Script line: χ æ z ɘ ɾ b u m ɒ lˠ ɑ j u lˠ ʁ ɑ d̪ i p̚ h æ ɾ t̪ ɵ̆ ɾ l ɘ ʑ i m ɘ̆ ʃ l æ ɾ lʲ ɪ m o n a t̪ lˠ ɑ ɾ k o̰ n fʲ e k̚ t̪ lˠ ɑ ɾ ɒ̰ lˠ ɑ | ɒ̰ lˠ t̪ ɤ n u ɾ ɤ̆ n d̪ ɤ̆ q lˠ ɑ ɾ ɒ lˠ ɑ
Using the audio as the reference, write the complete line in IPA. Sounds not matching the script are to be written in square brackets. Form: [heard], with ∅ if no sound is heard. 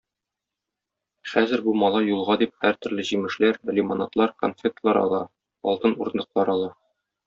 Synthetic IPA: χ æ z ɘ ɾ b u m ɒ lˠ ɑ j u lˠ ʁ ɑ d̪ i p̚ h æ ɾ t̪ ɵ̆ ɾ l ɘ ʑ i m ɘ̆ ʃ l æ ɾ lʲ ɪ m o n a t̪ lˠ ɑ ɾ k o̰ n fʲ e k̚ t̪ lˠ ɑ ɾ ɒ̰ lˠ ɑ | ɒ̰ lˠ t̪ ɤ n u ɾ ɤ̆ n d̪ ɤ̆ q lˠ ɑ ɾ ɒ lˠ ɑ